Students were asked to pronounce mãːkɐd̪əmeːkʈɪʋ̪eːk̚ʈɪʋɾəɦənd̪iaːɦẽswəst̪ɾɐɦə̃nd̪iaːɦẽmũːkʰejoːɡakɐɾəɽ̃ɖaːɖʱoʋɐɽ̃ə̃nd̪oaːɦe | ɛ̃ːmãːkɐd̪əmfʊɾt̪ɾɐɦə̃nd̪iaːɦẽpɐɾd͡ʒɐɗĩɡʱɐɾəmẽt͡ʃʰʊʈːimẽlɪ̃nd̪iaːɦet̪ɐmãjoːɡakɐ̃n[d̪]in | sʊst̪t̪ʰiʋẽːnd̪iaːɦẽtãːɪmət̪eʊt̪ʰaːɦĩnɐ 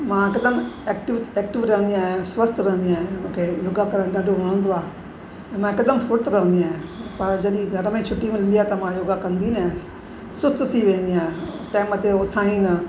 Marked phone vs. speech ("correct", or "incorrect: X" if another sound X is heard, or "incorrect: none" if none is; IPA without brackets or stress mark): correct